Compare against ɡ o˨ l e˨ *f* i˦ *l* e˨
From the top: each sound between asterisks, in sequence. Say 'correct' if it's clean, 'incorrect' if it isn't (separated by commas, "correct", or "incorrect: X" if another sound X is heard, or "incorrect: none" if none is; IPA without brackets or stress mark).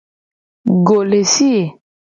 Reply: incorrect: s, incorrect: none